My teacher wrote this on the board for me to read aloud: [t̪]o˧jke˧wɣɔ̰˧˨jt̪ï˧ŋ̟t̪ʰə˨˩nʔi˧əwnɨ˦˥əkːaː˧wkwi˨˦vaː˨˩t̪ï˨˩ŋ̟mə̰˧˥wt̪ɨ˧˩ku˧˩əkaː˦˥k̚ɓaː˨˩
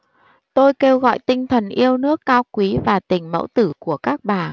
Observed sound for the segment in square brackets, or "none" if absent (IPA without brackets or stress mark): t̪